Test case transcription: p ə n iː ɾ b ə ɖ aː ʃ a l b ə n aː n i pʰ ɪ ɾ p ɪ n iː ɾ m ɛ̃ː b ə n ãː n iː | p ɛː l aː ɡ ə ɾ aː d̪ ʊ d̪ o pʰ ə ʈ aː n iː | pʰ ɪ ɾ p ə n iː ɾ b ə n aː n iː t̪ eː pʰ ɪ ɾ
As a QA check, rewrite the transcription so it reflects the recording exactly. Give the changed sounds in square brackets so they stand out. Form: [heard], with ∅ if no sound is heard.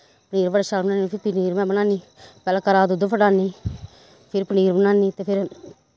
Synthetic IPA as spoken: p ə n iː ɾ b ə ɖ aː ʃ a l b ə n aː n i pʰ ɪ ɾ p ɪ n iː ɾ m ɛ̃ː b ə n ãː n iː | p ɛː l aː [k] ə ɾ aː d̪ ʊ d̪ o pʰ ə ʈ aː n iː | pʰ ɪ ɾ p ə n iː ɾ b ə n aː n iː t̪ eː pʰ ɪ ɾ